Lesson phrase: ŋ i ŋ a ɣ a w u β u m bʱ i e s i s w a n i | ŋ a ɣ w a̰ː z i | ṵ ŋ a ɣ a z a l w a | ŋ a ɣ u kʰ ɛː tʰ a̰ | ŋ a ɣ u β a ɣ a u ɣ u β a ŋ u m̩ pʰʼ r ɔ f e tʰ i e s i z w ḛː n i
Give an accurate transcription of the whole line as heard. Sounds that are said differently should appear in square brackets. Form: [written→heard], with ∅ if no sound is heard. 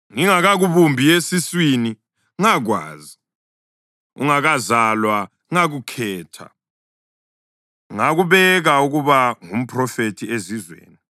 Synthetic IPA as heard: ŋ i ŋ a ɣ a [w→ɣ] u β u m bʱ i e s i s w [a→i] n i | ŋ a ɣ w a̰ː z i | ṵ ŋ a ɣ a z a l w a | ŋ a ɣ u kʰ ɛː tʰ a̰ | ŋ a ɣ u β [a→ɛ] ɣ a u ɣ u β a ŋ u m̩ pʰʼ r ɔ f e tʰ i e [s→z] i z w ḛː n i